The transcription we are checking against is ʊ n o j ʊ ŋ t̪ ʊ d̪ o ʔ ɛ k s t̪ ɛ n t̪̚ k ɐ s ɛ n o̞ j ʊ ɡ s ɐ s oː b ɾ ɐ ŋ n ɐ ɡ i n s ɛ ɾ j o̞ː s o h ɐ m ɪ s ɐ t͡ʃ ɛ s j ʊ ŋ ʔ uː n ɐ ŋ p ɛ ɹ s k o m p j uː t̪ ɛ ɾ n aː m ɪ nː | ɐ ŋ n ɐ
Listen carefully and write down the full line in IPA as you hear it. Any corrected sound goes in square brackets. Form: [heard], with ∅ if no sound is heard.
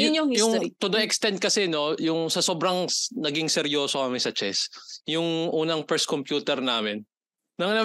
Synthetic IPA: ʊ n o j ʊ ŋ t̪ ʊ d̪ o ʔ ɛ k s t̪ ɛ n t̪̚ k ɐ s ɛ n o̞ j ʊ [ŋ] s ɐ s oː b ɾ ɐ ŋ n ɐ ɡ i [ŋ] s ɛ ɾ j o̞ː s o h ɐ m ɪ s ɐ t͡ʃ ɛ s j ʊ ŋ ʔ uː n ɐ ŋ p ɛ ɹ s k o m p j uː t̪ ɛ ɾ n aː m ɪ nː | ɐ ŋ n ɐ